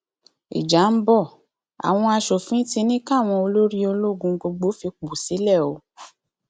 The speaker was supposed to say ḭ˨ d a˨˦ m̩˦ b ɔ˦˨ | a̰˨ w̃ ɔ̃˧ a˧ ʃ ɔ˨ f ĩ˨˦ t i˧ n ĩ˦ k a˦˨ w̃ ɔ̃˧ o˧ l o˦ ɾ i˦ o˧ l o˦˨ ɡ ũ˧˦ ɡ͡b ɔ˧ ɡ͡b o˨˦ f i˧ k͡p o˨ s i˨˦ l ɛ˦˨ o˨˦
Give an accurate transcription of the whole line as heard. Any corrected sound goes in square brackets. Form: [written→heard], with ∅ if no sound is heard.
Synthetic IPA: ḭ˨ [d→d͡ʒ] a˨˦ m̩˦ b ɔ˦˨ | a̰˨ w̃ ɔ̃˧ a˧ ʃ [ɔ˨→o˨] f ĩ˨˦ t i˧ n ĩ˦ k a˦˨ w̃ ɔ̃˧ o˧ l o˦ ɾ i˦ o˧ l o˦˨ ɡ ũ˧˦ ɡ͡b [ɔ˧→o˧] ɡ͡b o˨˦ f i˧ k͡p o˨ s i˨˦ l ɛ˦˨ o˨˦